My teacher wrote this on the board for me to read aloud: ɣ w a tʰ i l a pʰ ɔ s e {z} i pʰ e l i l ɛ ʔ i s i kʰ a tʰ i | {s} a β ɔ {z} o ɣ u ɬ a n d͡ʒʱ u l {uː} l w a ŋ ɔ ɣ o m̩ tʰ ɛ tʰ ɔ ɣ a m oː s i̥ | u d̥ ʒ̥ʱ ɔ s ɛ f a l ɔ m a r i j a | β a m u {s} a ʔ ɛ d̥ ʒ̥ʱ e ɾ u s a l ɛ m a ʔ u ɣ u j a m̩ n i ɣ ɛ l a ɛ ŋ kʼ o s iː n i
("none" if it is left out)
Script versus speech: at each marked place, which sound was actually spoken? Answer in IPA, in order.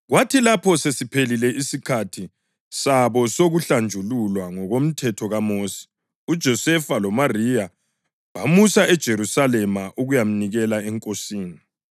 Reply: s, s, s, u, s

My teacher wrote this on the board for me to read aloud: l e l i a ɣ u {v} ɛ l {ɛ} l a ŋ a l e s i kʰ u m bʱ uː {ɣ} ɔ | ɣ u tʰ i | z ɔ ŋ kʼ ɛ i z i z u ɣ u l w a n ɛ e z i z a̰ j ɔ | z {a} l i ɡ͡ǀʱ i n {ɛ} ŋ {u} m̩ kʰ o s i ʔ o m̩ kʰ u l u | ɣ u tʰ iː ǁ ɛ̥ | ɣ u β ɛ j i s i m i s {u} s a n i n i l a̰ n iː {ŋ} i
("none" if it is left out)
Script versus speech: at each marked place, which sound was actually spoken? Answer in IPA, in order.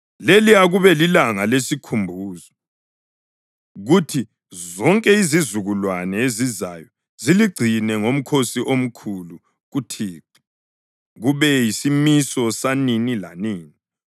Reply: β, i, z, i, ɛ, o, ɔ, n

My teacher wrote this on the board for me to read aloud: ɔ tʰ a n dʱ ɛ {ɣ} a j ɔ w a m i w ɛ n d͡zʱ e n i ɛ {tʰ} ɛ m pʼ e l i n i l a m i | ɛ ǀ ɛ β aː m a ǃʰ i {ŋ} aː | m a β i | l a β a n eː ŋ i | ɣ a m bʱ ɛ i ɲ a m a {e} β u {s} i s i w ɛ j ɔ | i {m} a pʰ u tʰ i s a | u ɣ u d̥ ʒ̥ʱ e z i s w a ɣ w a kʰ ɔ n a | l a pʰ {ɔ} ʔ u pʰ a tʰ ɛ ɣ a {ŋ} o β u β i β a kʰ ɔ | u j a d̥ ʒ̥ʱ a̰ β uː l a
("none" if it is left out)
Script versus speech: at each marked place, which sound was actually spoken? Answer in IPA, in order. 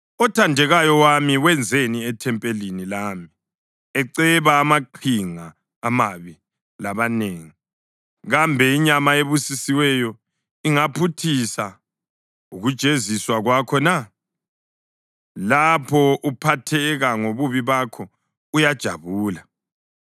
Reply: ɣ, tʰ, ŋ, e, s, ŋ, ɔ, ŋ

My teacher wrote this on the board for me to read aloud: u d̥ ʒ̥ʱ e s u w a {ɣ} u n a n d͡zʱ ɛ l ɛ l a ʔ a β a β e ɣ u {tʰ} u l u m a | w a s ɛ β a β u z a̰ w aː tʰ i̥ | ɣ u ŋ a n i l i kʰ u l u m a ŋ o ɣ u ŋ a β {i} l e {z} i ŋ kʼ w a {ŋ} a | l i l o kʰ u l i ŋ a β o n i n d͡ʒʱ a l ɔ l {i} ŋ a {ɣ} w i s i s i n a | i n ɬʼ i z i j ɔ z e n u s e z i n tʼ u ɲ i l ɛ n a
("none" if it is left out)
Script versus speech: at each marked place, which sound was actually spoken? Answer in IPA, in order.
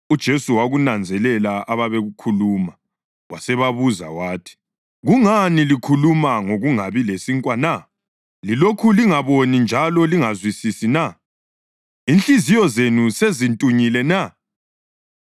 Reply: ɣ, kʰ, i, s, n, i, z

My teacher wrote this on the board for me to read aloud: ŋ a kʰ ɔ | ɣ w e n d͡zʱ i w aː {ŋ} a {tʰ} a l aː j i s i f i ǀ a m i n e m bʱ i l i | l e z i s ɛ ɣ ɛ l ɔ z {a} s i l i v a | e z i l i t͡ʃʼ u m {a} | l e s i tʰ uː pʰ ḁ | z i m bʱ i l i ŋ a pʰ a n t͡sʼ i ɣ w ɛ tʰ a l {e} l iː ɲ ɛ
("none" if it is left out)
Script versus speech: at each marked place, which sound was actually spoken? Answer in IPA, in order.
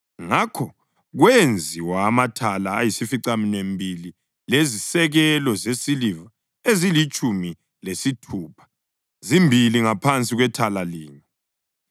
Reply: m, tʰ, e, i, a

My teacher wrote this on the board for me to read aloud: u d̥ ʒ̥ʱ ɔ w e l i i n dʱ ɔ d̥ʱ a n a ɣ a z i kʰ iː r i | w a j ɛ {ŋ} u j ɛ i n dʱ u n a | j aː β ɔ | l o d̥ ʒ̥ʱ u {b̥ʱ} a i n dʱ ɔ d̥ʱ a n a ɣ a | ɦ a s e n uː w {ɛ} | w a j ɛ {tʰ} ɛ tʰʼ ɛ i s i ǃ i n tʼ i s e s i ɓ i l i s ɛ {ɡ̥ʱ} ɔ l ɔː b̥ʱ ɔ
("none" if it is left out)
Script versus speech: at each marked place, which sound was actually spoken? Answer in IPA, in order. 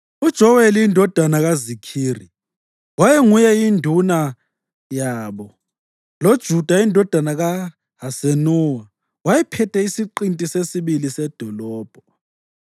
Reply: ŋ, d̥ʱ, a, pʰ, d̥ʱ

